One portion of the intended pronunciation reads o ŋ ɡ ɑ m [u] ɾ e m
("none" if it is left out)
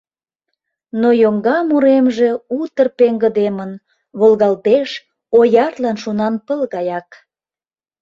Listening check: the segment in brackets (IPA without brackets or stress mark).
u